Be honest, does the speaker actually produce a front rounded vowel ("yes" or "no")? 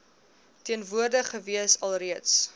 no